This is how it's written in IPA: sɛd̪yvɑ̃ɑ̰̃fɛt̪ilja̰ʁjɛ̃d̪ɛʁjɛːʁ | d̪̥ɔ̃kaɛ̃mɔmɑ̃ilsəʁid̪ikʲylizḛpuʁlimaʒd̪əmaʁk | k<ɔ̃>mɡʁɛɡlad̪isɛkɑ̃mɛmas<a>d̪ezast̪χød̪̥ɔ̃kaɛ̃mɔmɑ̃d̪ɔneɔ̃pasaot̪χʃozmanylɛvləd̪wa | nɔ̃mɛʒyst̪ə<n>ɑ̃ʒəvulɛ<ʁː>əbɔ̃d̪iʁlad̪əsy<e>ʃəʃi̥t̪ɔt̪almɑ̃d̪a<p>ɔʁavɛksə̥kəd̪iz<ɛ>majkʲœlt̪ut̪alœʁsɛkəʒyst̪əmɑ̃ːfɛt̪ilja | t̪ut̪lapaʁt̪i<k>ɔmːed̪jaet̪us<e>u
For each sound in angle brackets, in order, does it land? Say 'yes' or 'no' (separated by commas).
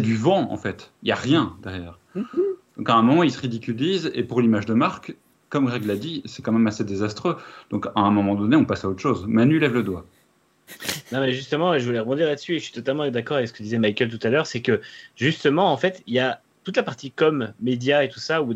no, no, no, no, yes, no, yes, yes, no